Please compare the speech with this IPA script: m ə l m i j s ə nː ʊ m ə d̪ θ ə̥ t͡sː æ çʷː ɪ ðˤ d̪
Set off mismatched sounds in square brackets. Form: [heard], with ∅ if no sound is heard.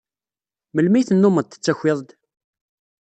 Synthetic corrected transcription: m ə l m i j [θ] ə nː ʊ m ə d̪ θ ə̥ t͡sː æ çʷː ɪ ðˤ d̪

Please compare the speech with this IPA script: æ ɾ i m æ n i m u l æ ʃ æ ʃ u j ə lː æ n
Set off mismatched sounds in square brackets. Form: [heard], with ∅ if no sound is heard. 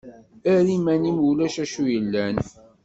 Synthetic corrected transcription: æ ɾ i m æ n i m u l æ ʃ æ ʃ u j ə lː æ n

